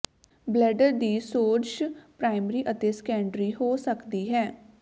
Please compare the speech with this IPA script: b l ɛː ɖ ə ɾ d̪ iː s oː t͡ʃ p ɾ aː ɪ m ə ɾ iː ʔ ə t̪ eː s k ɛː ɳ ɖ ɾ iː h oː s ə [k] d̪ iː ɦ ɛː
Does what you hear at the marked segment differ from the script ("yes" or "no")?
no